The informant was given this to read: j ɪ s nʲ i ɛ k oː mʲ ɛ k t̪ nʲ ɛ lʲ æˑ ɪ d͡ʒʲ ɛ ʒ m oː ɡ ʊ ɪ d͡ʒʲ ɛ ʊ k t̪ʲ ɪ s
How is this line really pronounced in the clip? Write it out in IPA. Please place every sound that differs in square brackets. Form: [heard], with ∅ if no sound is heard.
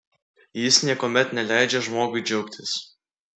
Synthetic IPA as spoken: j ɪ s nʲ i ɛ k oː mʲ ɛ [∅] t̪ nʲ ɛ lʲ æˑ ɪ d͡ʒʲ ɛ ʒ m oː ɡ ʊ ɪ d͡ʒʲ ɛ ʊ k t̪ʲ ɪ s

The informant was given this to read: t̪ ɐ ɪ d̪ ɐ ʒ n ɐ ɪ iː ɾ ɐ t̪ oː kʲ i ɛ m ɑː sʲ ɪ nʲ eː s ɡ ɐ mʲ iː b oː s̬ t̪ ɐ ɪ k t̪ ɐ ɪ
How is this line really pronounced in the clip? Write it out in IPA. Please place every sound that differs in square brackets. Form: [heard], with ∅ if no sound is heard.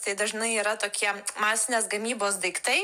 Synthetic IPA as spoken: t̪ ɐ ɪ d̪ ɐ ʒ n ɐ ɪ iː ɾ ɐ t̪ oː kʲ i ɛ m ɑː sʲ ɪ nʲ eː s ɡ ɐ mʲ iː b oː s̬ [d̪] ɐ ɪ k t̪ ɐ ɪ

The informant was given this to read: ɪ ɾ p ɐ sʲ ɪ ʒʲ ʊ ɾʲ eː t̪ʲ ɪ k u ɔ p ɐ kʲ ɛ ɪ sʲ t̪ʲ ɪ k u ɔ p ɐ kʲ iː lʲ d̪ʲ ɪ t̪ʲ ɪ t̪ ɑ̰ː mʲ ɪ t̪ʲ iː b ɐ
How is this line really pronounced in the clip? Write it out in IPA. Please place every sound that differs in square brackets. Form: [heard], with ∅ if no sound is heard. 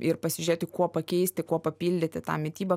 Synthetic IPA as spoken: ɪ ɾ p ɐ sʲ ɪ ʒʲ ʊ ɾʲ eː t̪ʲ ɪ k u ɔ p ɐ kʲ ɛ ɪ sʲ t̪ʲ ɪ k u ɔ p ɐ [pʲ] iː lʲ d̪ʲ ɪ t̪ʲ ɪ t̪ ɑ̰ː mʲ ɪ t̪ʲ iː b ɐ

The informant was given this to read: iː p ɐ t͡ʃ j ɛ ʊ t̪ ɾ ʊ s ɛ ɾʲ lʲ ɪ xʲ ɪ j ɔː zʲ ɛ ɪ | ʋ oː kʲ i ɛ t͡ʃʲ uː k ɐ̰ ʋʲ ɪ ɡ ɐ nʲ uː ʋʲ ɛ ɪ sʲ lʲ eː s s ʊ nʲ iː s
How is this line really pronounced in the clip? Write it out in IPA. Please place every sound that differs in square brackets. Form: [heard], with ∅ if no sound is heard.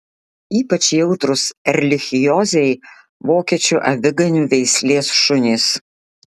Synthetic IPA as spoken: iː p ɐ t͡ʃ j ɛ ʊ t̪ ɾ ʊ s ɛ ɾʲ lʲ ɪ xʲ ɪ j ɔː zʲ ɛ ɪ | ʋ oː kʲ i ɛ t͡ʃʲ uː [ʔ] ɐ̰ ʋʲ ɪ ɡ ɐ nʲ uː ʋʲ ɛ ɪ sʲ lʲ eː s [ʃ] ʊ nʲ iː s

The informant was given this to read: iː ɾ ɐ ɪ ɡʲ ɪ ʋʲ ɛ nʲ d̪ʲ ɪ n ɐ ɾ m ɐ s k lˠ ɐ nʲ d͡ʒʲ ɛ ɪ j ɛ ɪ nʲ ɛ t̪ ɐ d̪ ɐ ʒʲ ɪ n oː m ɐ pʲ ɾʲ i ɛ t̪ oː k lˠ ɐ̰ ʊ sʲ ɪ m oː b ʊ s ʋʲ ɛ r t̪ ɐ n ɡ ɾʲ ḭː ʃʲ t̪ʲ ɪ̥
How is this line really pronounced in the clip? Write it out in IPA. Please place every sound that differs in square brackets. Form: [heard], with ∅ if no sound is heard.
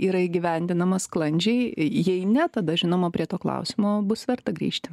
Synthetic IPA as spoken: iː ɾ ɐ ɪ ɡʲ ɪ ʋʲ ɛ nʲ d̪ʲ ɪ n ɐ [∅] m ɐ s k lˠ ɐ nʲ d͡ʒʲ ɛ ɪ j ɛ ɪ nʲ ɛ t̪ ɐ d̪ ɐ ʒʲ ɪ n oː m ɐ pʲ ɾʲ i ɛ t̪ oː k lˠ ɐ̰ ʊ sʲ ɪ m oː b ʊ s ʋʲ ɛ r t̪ ɐ [∅] ɡ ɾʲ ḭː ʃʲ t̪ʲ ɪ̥

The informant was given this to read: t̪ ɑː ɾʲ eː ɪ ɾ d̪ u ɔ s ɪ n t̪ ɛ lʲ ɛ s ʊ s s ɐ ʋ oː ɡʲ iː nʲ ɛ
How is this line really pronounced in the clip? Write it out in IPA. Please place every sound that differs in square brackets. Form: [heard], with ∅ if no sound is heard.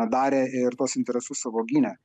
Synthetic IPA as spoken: [d̪] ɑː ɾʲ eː ɪ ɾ [t̪] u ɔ s ɪ n t̪ ɛ [ɾʲ] ɛ s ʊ s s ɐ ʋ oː ɡʲ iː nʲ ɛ

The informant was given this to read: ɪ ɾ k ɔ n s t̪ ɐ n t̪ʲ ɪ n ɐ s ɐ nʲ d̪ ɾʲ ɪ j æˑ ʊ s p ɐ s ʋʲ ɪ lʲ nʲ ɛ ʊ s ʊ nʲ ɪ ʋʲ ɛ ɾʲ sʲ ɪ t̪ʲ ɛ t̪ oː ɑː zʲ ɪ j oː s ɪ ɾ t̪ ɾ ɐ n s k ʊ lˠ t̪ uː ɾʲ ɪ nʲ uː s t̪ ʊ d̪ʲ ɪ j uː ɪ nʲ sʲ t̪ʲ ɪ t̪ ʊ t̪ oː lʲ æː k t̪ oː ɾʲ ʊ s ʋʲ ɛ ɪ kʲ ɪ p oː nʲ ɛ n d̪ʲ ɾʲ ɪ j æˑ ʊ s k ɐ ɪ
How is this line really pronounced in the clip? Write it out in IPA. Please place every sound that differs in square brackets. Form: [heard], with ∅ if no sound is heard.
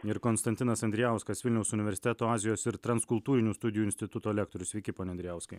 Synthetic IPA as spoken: ɪ ɾ k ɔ n s t̪ ɐ n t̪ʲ ɪ n ɐ s ɐ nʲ d̪ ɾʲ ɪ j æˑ ʊ s [k] ɐ s ʋʲ ɪ lʲ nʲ ɛ ʊ s ʊ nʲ ɪ ʋʲ ɛ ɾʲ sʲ ɪ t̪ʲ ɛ t̪ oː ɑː zʲ ɪ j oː s ɪ ɾ t̪ ɾ ɐ n s k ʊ lˠ t̪ uː ɾʲ ɪ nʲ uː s t̪ ʊ d̪ʲ ɪ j uː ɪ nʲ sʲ t̪ʲ ɪ t̪ ʊ t̪ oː lʲ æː k t̪ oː ɾʲ ʊ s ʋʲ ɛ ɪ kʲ ɪ p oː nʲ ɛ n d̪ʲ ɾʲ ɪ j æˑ ʊ s k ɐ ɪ

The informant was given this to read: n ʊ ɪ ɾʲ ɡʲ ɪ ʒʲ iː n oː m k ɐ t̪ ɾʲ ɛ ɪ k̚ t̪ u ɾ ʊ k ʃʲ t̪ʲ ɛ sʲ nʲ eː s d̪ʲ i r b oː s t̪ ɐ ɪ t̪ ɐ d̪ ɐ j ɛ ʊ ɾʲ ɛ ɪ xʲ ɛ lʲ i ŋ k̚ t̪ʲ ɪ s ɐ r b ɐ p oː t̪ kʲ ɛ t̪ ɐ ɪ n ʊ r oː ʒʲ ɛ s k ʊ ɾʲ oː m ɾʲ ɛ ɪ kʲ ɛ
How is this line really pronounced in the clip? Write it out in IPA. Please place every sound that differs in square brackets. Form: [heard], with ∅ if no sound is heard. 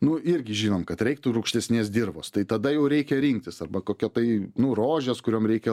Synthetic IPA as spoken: n ʊ ɪ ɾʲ ɡʲ ɪ ʒʲ iː n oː m k ɐ t̪ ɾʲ ɛ ɪ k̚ t̪ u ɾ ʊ k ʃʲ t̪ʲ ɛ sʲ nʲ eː s d̪ʲ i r b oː s t̪ ɐ ɪ t̪ ɐ d̪ ɐ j ɛ ʊ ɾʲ ɛ ɪ [kʲ] ɛ [ɾʲ] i ŋ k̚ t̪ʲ ɪ s ɐ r b ɐ [k] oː [∅] kʲ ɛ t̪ ɐ ɪ n ʊ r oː ʒʲ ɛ s k ʊ ɾʲ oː m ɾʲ ɛ ɪ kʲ ɛ

